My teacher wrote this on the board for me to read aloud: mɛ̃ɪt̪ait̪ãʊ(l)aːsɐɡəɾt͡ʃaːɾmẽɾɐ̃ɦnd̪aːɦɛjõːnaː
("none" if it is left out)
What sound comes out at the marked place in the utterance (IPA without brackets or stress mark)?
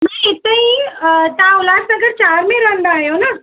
l